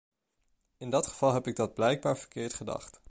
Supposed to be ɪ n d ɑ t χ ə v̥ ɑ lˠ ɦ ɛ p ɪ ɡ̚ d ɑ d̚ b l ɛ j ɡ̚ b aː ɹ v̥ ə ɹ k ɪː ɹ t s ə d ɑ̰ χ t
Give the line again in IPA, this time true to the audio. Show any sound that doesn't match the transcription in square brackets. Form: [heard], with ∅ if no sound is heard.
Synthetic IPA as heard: ɪ n d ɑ t χ ə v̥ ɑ lˠ ɦ ɛ p ɪ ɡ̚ d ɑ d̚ b l ɛ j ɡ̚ b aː ɹ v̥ ə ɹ k ɪː ɹ t [χ] ə d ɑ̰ χ t